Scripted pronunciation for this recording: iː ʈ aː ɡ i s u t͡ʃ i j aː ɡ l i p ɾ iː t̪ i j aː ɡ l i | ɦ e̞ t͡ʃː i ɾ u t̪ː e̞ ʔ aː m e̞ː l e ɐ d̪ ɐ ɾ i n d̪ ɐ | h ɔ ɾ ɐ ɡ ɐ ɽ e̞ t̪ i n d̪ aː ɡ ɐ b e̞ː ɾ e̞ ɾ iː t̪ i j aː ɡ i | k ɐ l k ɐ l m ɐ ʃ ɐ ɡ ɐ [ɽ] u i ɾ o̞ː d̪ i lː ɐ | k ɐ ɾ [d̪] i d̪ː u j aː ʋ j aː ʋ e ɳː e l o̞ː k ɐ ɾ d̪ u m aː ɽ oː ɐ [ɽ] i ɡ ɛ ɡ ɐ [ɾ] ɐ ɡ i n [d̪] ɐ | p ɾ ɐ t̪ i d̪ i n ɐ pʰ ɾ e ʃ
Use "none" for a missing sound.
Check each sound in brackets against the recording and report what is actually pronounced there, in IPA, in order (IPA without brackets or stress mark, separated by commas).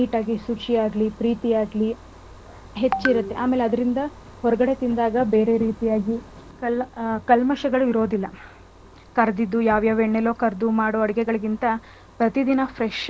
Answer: ɭ, d̪, ɽ, ɭ, t̪